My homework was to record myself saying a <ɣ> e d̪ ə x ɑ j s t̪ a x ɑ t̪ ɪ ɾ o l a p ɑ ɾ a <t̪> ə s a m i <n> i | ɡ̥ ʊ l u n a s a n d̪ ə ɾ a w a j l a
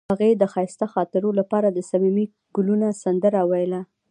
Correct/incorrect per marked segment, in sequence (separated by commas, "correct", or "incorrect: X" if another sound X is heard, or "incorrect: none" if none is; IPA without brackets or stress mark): correct, incorrect: d̪, incorrect: m